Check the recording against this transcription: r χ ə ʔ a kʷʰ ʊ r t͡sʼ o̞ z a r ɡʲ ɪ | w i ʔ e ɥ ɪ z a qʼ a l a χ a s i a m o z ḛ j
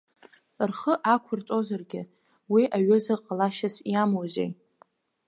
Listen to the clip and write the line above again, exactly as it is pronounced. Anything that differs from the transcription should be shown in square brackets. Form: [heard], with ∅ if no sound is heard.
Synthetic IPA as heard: r χ ə ʔ a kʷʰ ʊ r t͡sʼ o̞ z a r ɡʲ ɪ | w i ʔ [a] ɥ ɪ z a qʼ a l a [ʃ] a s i a m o z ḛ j